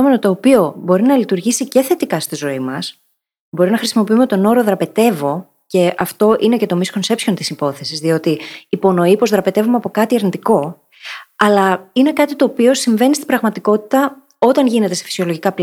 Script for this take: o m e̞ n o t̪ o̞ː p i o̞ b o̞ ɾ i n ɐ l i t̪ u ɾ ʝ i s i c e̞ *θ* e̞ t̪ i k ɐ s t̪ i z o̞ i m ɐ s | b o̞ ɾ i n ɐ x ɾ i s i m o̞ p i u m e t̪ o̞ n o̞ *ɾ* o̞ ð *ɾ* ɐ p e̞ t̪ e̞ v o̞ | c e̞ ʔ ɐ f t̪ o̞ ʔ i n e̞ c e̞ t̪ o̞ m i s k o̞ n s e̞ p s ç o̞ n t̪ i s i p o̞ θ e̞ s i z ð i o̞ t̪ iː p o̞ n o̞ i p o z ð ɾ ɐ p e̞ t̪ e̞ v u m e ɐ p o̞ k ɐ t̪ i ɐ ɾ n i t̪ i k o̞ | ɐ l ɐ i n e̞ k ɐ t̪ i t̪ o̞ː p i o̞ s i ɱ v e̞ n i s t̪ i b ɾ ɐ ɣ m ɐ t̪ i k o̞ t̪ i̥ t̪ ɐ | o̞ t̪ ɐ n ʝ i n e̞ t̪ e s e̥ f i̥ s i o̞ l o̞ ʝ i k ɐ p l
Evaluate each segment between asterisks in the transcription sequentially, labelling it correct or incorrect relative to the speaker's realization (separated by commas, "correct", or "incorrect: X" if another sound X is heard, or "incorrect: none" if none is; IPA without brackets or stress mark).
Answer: correct, correct, correct